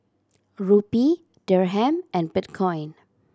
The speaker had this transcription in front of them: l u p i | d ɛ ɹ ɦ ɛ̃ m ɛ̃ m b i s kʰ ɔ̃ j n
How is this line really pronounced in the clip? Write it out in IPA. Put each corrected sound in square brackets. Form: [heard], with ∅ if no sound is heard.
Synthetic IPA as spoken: [ɹ] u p i | d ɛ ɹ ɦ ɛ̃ m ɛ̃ [n] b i [t] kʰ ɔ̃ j n